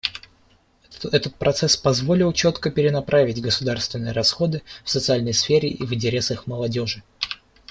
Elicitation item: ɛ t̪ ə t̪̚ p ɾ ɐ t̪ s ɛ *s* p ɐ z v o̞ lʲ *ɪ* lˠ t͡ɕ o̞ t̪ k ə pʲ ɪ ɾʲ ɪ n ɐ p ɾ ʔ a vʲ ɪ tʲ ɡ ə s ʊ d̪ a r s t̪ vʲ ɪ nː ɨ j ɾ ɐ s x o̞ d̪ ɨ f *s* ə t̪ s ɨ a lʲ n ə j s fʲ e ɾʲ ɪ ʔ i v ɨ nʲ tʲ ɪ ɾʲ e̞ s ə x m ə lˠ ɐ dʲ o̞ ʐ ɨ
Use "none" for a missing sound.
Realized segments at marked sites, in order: s, ɪ, s

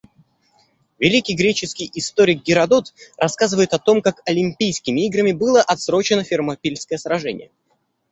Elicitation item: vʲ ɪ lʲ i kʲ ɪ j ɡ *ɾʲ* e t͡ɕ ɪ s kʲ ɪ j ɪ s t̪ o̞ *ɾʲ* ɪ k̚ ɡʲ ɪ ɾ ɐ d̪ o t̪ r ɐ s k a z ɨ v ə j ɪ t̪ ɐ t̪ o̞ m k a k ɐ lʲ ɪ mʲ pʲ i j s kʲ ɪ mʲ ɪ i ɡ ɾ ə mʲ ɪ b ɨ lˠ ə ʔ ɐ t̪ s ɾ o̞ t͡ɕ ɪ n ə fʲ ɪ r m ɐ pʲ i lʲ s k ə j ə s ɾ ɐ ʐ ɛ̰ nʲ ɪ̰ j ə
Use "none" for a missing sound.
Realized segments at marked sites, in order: ɾʲ, ɾʲ

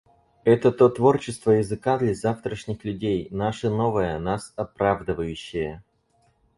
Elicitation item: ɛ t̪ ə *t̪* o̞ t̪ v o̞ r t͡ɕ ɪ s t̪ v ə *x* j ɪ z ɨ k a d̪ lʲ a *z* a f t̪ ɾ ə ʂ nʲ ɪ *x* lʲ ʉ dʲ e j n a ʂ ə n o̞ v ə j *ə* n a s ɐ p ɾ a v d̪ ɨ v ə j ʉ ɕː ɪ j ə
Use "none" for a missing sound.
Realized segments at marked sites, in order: t̪, none, z, x, ə

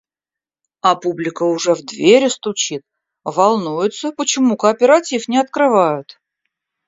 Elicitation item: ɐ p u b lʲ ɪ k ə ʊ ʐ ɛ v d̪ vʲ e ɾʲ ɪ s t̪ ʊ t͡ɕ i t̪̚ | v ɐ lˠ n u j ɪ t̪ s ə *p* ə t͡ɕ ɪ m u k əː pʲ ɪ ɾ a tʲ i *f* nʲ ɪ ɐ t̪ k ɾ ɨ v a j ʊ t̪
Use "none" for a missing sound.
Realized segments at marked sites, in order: p, f

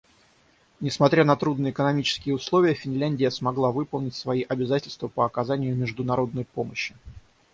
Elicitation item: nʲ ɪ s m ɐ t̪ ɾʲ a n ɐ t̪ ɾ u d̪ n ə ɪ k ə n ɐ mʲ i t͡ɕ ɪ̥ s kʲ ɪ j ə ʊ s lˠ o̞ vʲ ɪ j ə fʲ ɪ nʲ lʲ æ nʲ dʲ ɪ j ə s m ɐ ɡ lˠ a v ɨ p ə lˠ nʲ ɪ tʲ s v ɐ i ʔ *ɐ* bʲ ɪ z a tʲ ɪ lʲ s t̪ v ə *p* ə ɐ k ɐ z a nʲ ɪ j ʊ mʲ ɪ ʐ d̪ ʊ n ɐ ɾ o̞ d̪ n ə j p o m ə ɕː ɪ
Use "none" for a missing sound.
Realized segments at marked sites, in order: ɐ, p

